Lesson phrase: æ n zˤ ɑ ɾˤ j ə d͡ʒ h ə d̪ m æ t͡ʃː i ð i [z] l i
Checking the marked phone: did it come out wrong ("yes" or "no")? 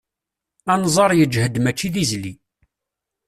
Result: no